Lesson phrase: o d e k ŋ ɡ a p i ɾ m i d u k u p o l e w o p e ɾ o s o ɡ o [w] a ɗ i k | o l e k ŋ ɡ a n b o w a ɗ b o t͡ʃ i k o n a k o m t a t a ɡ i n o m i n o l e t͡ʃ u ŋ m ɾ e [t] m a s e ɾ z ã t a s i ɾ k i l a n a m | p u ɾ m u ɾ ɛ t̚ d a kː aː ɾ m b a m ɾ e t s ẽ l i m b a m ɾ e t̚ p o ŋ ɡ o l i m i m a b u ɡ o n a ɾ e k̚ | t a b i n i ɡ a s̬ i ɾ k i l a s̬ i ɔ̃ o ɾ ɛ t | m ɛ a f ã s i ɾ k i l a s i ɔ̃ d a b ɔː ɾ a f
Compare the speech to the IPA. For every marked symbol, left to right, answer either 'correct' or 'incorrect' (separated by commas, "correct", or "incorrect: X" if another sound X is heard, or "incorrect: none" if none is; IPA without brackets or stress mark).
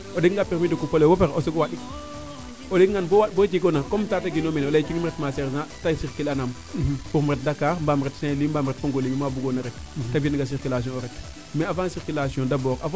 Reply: correct, correct